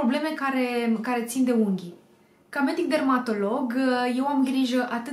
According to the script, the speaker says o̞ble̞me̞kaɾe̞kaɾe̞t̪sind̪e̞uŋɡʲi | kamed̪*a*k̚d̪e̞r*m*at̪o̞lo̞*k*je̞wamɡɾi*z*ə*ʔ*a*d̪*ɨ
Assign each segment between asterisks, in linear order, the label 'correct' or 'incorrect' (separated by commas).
incorrect, correct, incorrect, incorrect, correct, incorrect